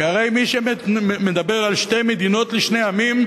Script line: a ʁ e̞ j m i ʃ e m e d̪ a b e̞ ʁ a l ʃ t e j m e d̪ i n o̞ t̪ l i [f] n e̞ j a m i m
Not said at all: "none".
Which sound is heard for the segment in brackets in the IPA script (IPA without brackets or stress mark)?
ʃ